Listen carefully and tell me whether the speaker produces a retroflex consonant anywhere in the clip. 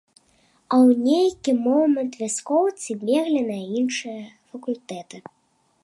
yes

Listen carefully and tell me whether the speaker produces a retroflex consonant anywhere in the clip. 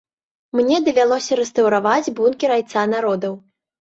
no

